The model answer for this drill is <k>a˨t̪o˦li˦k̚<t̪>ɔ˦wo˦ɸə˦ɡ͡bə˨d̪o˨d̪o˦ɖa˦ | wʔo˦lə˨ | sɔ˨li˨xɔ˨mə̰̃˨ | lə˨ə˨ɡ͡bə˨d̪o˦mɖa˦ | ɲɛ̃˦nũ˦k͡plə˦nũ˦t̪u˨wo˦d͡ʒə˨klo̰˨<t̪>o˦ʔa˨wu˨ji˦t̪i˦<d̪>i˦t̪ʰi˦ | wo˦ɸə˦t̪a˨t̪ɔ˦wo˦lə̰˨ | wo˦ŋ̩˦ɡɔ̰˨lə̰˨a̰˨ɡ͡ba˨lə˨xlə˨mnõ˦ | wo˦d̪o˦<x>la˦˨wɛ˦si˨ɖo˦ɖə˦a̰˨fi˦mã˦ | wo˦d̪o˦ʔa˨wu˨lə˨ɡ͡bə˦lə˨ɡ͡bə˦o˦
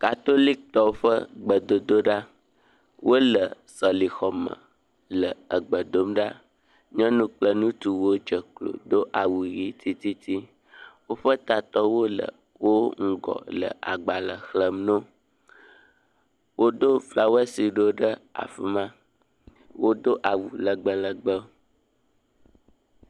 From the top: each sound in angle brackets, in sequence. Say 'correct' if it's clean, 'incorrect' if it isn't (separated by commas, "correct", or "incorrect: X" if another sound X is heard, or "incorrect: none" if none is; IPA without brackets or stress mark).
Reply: correct, correct, incorrect: d̪, incorrect: t̪, incorrect: f